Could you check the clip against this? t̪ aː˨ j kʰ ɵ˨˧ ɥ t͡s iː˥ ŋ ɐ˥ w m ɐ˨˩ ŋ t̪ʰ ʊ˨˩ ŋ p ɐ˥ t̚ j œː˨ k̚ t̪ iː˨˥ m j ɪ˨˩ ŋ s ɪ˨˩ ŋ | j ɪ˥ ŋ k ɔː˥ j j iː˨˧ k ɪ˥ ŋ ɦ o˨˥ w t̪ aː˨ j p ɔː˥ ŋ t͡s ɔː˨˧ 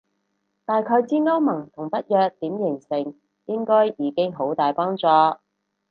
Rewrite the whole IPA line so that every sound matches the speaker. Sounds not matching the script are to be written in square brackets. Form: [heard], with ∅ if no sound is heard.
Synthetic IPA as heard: t̪ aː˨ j kʰ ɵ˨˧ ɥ t͡s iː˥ ŋ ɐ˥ w m ɐ˨˩ ŋ t̪ʰ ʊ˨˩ ŋ p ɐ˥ t̚ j œː˨ k̚ t̪ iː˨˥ m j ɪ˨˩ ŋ s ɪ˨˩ ŋ | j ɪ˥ ŋ k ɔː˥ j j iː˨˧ k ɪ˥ ŋ ɦ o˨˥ w t̪ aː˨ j p ɔː˥ ŋ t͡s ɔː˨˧